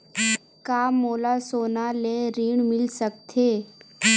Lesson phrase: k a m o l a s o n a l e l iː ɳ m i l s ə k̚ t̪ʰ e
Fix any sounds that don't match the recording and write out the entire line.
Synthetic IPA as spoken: k a m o l a s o n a l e ɾ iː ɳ m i l s ə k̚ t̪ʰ e